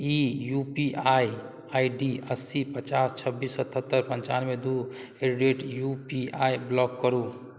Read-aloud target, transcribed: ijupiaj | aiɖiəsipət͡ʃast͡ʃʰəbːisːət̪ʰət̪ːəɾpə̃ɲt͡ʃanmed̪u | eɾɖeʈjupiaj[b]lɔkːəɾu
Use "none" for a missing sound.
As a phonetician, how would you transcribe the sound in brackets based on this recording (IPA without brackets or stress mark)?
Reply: b